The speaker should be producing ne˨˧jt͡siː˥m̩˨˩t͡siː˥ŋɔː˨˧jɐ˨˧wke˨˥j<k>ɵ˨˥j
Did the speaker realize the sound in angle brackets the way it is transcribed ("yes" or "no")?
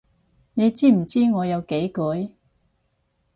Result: yes